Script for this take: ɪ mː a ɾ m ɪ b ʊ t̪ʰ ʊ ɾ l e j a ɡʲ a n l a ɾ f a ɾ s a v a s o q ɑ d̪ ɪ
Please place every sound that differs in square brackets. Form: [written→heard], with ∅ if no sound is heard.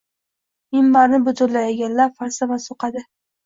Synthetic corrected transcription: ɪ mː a ɾ [m→n] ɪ b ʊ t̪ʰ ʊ ɾ l [e→a] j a ɡʲ a n l a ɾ f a ɾ s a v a s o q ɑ d̪ ɪ